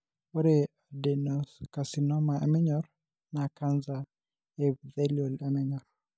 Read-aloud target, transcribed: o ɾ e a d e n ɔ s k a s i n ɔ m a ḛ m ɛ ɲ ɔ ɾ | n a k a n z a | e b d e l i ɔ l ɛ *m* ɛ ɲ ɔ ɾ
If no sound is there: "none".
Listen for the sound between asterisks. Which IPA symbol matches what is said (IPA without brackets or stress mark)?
m